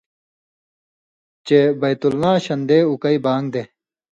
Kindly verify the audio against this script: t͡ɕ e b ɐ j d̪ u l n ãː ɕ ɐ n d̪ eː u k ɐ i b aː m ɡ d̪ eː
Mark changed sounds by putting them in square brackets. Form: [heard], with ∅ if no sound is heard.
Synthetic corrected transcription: t͡ɕ e b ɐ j [t̪] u l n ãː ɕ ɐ n d̪ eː u k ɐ i b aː [ŋ] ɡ d̪ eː